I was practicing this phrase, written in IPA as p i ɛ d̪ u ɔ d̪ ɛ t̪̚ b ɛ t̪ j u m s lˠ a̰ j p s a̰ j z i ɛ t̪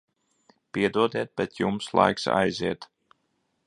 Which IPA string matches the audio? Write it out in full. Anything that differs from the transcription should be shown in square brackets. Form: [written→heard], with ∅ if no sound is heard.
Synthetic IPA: p i ɛ d̪ u ɔ d̪ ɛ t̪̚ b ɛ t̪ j u m s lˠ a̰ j [p→k] s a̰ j z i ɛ t̪